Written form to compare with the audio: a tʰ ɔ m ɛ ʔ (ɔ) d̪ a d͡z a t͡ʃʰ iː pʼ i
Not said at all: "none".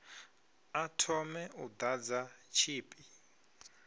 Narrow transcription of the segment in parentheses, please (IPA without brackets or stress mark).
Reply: u